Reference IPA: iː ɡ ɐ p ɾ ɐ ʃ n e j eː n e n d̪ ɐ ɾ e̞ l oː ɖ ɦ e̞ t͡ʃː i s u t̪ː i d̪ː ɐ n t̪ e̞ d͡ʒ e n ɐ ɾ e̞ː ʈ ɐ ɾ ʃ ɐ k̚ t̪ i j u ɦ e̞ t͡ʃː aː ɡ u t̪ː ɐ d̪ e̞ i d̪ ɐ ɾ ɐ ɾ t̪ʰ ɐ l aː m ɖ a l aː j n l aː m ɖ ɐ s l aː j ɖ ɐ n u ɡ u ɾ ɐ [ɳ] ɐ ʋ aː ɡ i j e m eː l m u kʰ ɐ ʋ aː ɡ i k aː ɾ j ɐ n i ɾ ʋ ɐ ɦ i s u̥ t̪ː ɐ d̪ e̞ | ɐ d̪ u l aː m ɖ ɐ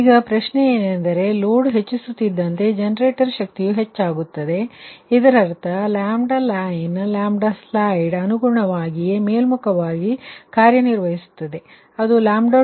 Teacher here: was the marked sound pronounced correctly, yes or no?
yes